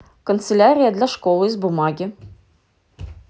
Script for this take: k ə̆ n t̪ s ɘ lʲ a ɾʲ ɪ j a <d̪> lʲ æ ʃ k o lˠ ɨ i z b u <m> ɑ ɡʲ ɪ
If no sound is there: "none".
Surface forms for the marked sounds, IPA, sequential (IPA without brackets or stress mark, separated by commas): d̪, m